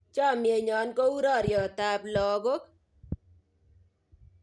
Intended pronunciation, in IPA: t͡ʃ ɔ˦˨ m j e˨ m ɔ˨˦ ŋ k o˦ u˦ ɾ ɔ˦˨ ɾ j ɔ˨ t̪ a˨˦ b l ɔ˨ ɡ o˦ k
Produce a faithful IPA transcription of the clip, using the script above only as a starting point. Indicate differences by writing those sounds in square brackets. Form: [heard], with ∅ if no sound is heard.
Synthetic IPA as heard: t͡ʃ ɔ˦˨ m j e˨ [ɲ] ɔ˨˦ [n] k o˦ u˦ ɾ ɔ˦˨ ɾ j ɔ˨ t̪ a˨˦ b l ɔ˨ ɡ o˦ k